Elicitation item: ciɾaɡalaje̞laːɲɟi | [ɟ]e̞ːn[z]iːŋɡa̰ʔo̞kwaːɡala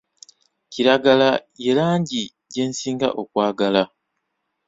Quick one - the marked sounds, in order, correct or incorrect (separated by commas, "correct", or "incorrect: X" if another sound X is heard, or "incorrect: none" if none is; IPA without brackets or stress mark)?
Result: correct, incorrect: s